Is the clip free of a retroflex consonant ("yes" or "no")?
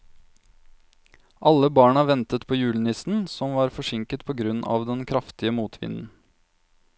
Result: no